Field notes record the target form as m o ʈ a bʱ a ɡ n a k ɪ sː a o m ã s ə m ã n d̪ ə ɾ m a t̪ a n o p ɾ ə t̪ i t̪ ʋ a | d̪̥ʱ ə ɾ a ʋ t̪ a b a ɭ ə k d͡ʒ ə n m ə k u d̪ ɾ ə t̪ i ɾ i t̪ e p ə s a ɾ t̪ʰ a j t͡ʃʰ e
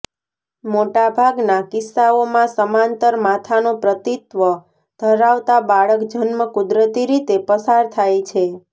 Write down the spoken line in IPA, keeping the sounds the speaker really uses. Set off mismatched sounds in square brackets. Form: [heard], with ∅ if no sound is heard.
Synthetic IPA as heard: m o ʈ a bʱ a ɡ n a k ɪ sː a o m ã s ə m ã n [t̪] ə ɾ m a [t̪ʰ] a n o p ɾ ə t̪ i t̪ ʋ [ə] | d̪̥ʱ ə ɾ a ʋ t̪ a b a ɭ ə k d͡ʒ ə n m ə k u d̪ ɾ ə t̪ i ɾ i t̪ e p ə s a ɾ t̪ʰ a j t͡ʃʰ e